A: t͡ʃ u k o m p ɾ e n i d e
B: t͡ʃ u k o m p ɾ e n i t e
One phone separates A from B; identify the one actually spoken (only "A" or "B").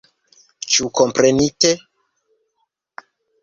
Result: B